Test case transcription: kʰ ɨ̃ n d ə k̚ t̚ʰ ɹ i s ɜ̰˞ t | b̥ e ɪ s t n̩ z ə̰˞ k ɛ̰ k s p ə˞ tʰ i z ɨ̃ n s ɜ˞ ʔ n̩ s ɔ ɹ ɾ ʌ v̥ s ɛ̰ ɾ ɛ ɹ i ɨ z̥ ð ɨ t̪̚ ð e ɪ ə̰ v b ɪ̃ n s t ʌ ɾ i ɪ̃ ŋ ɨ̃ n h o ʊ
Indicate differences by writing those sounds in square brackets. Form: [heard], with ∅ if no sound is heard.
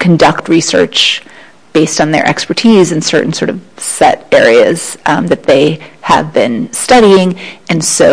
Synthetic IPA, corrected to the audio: kʰ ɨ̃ n d [ʌ] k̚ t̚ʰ ɹ i s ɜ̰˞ [t͡ʃ] | b̥ e ɪ s t n̩ [ð] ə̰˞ [ʔ] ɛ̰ k s p ə˞ tʰ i z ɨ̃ n s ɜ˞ ʔ n̩ s ɔ ɹ ɾ ʌ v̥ s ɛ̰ ɾ ɛ ɹ i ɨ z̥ ð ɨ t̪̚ ð e ɪ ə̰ v b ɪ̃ n s t ʌ ɾ i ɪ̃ ŋ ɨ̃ n [s] o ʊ

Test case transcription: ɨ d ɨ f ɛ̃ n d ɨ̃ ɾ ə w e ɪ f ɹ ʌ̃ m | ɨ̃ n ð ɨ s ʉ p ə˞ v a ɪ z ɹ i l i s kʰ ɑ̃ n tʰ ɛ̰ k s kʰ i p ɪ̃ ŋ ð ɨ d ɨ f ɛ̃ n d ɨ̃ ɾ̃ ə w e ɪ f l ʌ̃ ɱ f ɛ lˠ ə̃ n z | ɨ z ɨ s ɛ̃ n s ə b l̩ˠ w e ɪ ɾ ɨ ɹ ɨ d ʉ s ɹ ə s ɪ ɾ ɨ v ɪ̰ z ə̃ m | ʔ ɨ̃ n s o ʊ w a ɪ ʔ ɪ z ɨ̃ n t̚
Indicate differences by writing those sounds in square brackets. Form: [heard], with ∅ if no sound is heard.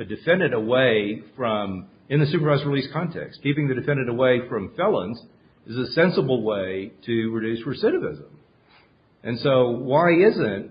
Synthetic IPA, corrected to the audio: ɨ d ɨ f ɛ̃ n d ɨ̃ ɾ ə w e ɪ f ɹ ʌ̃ m | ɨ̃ n ð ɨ s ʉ p ə˞ v a ɪ z ɹ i l i s kʰ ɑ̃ n tʰ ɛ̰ k s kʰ i p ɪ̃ ŋ ð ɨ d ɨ f ɛ̃ n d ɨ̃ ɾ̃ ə w e ɪ f [ɹ] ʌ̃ ɱ f ɛ lˠ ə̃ n z | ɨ z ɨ s ɛ̃ n s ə b l̩ˠ w e ɪ ɾ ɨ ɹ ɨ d ʉ s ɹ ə s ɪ ɾ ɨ v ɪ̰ z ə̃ m | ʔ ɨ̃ n s o ʊ w a ɪ [∅] ɪ z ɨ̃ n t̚

